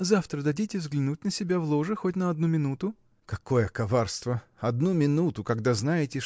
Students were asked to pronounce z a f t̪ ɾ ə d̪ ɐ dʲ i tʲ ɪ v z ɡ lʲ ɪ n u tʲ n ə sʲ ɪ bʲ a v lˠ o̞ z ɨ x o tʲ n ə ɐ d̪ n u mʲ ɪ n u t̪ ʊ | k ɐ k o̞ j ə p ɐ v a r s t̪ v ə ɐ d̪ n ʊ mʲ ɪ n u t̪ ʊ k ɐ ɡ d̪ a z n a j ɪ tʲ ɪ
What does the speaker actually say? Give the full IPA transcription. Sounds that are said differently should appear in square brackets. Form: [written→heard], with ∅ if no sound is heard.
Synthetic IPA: z a f t̪ ɾ ə d̪ ɐ dʲ i tʲ ɪ v z ɡ lʲ ɪ n u tʲ n ə sʲ ɪ bʲ a v lˠ o̞ [z→ʐ] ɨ x o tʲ n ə ɐ d̪ n u mʲ ɪ n u t̪ ʊ | k ɐ k o̞ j ə [p→k] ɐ v a r s t̪ v ə ɐ d̪ n [ʊ→u] mʲ ɪ n u t̪ ʊ k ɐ ɡ d̪ a z n a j ɪ tʲ ɪ